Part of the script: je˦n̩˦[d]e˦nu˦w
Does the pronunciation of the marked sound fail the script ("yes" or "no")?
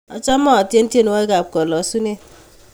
yes